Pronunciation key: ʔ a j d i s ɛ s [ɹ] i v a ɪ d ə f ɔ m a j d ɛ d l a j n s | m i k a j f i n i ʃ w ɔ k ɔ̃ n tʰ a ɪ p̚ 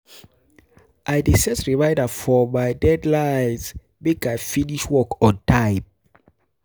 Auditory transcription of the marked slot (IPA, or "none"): ɹ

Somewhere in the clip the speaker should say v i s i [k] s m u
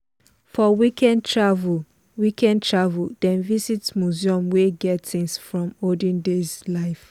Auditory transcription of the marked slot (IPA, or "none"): t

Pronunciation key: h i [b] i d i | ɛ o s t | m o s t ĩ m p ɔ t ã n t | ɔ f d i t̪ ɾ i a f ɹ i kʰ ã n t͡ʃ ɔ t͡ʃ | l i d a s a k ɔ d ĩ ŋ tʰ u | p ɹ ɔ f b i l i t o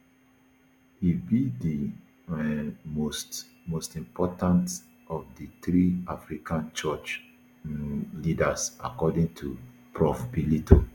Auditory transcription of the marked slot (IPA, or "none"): b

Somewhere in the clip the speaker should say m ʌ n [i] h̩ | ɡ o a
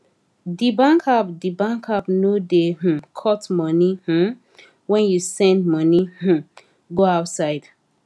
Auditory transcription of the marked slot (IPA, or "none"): i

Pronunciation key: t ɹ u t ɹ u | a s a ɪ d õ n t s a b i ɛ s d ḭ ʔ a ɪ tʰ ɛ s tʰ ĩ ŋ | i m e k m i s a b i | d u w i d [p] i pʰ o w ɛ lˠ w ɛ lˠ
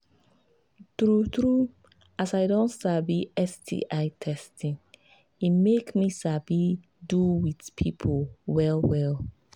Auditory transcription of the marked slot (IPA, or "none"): pʰ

